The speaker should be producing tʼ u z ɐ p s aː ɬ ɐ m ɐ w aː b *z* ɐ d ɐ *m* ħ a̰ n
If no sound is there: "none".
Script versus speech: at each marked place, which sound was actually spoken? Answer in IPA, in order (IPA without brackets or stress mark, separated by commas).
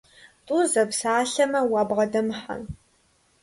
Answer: ʁ, m